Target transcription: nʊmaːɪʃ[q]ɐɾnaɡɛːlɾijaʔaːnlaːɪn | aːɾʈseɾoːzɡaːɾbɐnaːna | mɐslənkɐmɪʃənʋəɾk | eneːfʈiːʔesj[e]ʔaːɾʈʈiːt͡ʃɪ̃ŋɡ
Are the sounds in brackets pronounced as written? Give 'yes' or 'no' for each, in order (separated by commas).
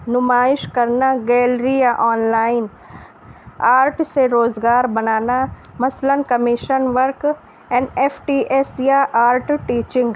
no, no